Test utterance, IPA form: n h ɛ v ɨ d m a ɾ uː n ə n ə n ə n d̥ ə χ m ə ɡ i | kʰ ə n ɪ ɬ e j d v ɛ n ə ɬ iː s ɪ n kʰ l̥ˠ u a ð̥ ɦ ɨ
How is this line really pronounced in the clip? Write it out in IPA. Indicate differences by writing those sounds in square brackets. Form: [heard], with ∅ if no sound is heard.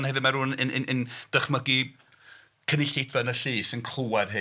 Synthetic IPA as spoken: n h ɛ v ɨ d m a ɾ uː n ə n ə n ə n d̥ ə χ m ə ɡ i | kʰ ə n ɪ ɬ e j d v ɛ n ə ɬ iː s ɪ n kʰ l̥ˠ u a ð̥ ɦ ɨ